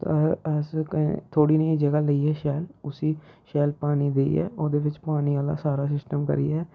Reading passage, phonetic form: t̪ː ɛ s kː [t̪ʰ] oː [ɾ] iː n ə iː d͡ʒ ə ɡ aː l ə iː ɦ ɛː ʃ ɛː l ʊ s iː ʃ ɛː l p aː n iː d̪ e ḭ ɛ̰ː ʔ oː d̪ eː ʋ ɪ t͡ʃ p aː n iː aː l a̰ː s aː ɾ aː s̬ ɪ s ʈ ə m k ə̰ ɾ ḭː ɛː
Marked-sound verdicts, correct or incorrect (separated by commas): correct, incorrect